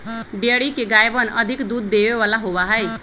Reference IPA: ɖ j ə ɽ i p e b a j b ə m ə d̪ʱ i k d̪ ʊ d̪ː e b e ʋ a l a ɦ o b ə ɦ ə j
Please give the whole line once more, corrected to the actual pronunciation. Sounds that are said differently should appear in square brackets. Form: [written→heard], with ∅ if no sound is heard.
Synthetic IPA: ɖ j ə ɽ i [p→k] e [b→ɡ] a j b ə [m→n] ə d̪ʱ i k d̪ [ʊ→u] d̪ː e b e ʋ a l a ɦ o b [ə→a] ɦ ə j